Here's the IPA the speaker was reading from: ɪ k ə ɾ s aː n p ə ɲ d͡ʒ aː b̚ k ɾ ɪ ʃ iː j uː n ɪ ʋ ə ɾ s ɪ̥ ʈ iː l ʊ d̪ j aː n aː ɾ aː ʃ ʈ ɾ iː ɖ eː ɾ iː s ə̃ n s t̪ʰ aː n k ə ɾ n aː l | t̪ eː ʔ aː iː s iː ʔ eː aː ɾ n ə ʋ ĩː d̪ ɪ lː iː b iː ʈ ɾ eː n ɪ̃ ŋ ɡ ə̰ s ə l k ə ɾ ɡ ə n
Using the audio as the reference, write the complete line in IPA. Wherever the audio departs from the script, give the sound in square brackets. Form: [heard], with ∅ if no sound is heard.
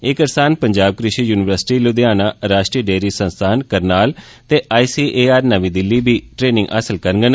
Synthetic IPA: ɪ k ə ɾ s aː n p ə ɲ d͡ʒ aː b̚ k ɾ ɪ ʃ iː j uː n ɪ ʋ ə ɾ s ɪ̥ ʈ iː l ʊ d̪ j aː n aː ɾ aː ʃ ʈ ɾ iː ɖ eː ɾ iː s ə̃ n s t̪ʰ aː n k ə ɾ n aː l | t̪ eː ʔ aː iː s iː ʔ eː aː ɾ n ə ʋ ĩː d̪ ɪ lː iː b iː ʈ ɾ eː n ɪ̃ ŋ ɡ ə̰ s ə l k ə ɾ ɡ ə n

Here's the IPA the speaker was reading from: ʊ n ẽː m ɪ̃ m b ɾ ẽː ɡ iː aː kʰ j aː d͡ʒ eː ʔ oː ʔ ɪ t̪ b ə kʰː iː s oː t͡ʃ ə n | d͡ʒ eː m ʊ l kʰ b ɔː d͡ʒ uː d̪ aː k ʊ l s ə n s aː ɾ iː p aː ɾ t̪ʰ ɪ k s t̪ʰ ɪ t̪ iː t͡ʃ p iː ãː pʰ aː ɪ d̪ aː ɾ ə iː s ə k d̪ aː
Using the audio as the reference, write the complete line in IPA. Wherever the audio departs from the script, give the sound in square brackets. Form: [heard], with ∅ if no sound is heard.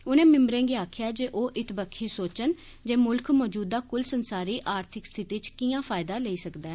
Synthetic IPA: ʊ n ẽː m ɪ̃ m b ɾ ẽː ɡ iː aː kʰ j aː d͡ʒ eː ʔ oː ʔ ɪ t̪ b ə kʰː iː s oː t͡ʃ ə n | d͡ʒ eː m ʊ l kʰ [m] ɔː d͡ʒ uː d̪ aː k ʊ l s ə n s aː ɾ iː [ʔ] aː ɾ t̪ʰ ɪ k s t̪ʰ ɪ t̪ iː t͡ʃ [k] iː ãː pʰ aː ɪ d̪ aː [l] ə iː s ə k d̪ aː

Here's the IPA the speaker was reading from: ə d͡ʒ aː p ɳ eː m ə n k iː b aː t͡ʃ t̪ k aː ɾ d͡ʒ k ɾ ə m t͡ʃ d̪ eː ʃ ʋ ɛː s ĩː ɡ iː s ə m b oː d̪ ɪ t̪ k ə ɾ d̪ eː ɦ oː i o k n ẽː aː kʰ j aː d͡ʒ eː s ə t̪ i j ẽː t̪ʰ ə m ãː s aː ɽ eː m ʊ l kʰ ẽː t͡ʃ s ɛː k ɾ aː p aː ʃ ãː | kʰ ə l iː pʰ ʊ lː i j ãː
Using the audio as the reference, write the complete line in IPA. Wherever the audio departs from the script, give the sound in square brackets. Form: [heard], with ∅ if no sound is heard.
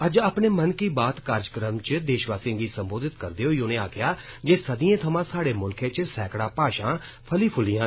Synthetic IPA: ə d͡ʒ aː p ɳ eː m ə n k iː b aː [∅] t̪ k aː ɾ d͡ʒ k ɾ ə m t͡ʃ d̪ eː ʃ ʋ [aː] s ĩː ɡ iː s ə m b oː d̪ ɪ t̪ k ə ɾ d̪ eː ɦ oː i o [∅] n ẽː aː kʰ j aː d͡ʒ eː s ə [d̪] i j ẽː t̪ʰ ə m ãː s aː ɽ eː m ʊ l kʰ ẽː t͡ʃ s ɛː k [ɽ] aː p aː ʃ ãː | [pʰ] ə l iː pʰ ʊ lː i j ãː

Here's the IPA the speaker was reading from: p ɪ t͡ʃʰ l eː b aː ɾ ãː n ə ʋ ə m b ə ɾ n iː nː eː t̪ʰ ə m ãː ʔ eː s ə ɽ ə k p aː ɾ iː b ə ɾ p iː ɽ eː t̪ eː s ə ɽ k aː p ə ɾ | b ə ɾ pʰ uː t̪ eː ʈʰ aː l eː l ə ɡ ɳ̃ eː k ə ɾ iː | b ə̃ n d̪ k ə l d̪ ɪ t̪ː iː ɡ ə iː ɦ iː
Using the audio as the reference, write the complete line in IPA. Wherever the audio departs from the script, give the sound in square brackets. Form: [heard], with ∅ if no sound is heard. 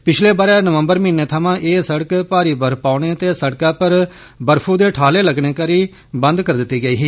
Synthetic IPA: p ɪ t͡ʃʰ l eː b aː ɾ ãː n ə ʋ ə m b ə ɾ [m] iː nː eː t̪ʰ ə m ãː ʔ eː s ə ɽ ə k p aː ɾ iː b ə ɾ p [aː] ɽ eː t̪ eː s ə ɽ k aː p ə ɾ | b ə ɾ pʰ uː [d̪] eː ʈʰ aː l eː l ə ɡ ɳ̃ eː k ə ɾ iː | b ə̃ n d̪ k ə [ɾ] d̪ ɪ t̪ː iː ɡ ə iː ɦ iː

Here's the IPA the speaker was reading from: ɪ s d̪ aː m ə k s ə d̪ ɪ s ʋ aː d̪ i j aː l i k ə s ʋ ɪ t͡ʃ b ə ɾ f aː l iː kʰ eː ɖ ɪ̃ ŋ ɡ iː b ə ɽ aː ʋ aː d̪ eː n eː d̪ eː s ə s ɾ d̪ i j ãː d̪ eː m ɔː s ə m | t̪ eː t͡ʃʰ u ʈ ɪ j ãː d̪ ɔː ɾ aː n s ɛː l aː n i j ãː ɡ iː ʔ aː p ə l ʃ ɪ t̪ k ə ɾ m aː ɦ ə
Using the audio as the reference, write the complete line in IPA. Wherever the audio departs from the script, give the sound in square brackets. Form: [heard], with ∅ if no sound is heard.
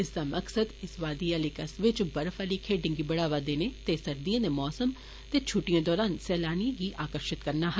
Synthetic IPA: ɪ s d̪ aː m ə k s ə d̪ ɪ s ʋ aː d̪ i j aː l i k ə s ʋ ɪ t͡ʃ b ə ɾ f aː l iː kʰ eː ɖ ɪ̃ ŋ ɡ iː b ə ɽ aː ʋ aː d̪ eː n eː [t̪] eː s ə [∅] ɾ d̪ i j ãː d̪ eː m ɔː s ə m | t̪ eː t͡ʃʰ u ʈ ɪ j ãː d̪ ɔː ɾ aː n s ɛː l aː n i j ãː ɡ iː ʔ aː [k] ə [ɾ] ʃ ɪ t̪ k ə ɾ [n] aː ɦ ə

